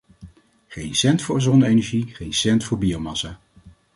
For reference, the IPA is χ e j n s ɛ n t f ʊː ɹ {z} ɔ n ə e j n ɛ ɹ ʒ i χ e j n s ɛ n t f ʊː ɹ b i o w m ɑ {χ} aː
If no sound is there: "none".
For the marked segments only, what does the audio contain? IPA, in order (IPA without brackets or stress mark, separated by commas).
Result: z, s